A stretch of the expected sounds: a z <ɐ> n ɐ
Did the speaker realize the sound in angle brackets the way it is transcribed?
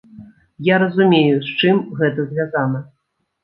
no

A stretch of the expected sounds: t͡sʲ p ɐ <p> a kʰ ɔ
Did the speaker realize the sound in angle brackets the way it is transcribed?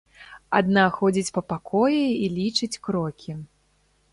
yes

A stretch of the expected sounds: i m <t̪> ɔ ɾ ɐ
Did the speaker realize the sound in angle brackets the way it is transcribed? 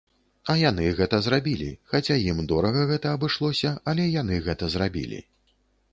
no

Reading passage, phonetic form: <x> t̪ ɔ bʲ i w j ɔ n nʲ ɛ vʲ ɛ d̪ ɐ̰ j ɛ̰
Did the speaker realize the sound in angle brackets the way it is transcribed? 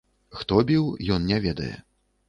yes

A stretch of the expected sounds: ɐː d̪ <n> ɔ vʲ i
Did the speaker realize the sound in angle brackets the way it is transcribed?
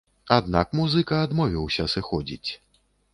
no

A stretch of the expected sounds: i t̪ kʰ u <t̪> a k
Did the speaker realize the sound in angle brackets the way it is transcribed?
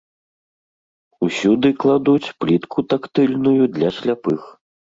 yes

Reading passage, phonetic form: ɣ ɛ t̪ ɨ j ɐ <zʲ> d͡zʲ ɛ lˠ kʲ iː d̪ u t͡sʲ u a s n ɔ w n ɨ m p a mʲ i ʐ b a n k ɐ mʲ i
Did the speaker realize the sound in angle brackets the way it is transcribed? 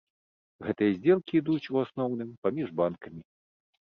yes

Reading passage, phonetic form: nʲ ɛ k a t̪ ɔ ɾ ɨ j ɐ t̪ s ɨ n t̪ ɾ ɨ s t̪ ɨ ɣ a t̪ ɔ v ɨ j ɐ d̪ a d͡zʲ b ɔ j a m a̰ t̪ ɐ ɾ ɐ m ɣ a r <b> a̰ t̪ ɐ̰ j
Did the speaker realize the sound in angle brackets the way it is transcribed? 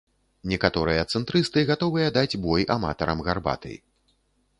yes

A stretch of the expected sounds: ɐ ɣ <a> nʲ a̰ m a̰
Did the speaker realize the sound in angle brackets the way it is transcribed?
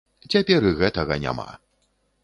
no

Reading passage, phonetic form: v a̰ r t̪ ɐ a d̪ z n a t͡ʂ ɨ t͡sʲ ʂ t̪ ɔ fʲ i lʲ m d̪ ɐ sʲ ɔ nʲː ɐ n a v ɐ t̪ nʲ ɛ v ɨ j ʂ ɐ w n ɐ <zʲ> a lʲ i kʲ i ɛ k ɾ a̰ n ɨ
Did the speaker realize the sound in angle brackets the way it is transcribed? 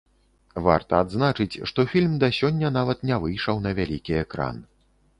no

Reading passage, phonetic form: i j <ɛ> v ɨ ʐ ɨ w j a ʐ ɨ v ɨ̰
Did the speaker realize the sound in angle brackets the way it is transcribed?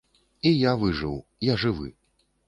no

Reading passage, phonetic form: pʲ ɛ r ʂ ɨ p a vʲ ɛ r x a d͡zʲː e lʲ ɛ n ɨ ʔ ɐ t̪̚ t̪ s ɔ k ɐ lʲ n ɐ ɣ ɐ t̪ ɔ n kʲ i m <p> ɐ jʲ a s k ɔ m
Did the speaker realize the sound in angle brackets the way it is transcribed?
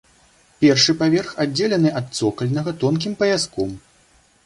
yes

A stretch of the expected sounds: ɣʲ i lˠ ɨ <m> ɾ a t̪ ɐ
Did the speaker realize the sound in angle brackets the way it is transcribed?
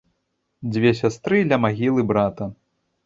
no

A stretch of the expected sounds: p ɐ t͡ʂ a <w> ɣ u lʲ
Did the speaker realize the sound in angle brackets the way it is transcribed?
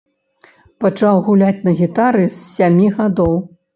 yes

